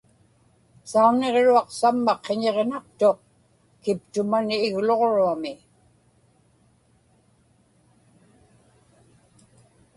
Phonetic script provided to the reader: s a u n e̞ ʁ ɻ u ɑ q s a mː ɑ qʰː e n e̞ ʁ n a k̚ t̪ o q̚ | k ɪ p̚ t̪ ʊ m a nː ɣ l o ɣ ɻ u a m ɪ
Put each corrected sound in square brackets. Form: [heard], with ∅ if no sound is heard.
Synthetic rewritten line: s a u n e̞ ʁ ɻ u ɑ q s a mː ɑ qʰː e [ɲ] e̞ ʁ n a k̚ t̪ o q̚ | k ɪ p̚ t̪ ʊ m a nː ɣ l o [ʁ] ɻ u a m ɪ